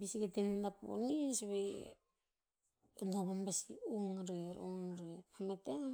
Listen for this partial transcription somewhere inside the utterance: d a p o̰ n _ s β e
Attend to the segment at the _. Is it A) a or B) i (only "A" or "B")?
B